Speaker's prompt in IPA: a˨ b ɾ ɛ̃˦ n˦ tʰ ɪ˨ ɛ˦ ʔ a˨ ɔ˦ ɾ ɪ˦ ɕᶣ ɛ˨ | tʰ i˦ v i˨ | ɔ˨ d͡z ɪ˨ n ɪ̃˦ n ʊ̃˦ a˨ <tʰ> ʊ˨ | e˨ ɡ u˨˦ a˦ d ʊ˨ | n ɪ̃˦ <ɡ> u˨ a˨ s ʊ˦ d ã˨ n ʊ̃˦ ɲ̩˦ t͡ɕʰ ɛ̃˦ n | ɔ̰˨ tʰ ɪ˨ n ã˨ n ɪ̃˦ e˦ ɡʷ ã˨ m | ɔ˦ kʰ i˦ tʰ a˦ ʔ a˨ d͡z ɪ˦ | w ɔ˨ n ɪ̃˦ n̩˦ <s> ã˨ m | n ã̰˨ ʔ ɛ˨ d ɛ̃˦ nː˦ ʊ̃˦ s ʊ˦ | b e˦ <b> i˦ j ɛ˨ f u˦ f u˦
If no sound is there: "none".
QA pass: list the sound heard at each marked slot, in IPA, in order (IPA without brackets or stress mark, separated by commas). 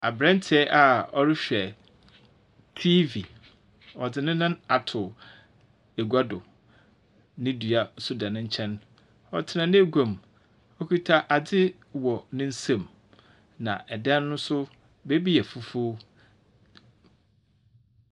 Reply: tʰ, d, s, b